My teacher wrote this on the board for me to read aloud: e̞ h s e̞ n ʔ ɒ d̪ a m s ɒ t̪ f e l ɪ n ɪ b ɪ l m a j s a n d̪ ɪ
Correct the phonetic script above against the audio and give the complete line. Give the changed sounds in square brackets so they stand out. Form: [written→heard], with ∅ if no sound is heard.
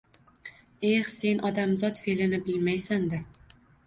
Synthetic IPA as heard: e̞ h s e̞ n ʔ ɒ d̪ a m [s→z] ɒ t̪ f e l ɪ n ɪ b ɪ l m a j s a n d̪ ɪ